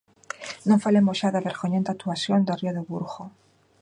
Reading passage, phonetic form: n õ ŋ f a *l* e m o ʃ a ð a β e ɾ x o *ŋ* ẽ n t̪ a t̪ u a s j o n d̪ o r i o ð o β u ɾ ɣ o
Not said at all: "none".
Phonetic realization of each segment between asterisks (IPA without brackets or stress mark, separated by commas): l, ɲ